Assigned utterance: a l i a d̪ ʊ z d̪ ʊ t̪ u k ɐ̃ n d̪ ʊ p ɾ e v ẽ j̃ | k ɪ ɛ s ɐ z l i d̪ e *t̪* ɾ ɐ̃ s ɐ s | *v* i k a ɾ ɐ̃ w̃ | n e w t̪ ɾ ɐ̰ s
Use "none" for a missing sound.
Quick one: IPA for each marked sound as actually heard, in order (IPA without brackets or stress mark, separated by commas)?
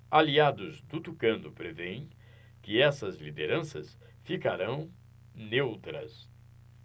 none, f